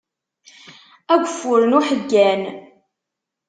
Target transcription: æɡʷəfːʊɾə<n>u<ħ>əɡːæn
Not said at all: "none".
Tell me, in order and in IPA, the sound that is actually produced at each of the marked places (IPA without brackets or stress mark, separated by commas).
n, ħ